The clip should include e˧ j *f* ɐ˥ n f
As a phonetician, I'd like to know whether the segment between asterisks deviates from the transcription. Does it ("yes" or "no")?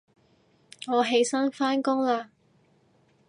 yes